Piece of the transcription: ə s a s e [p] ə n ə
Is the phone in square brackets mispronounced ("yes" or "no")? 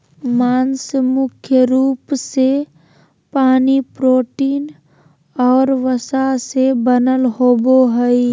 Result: yes